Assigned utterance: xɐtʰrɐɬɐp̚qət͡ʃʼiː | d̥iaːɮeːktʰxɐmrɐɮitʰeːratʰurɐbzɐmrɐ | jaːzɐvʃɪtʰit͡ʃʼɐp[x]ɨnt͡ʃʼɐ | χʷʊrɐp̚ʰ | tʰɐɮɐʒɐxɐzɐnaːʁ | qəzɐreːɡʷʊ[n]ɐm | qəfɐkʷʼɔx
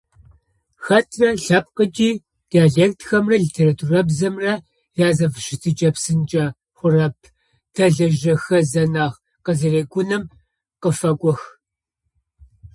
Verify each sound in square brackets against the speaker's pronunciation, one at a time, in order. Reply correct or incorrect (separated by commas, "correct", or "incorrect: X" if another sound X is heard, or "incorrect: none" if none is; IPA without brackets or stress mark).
incorrect: s, correct